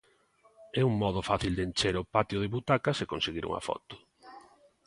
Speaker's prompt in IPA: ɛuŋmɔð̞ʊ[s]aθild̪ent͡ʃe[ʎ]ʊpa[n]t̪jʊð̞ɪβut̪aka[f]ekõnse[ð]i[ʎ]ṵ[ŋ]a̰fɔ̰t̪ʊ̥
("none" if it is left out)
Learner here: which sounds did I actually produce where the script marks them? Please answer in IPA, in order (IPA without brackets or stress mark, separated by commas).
f, ɾ, none, s, ɣ, ɾ, ŋ